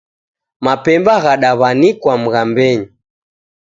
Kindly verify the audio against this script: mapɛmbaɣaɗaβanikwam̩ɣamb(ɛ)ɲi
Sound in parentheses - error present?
no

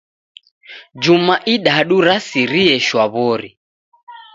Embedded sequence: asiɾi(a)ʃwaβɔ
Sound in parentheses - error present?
yes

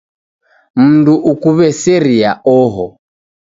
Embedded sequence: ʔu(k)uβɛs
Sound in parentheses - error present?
no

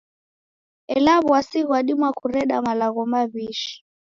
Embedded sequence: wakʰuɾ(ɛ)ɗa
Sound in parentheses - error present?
no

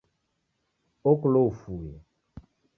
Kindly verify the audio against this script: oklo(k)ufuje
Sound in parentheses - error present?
yes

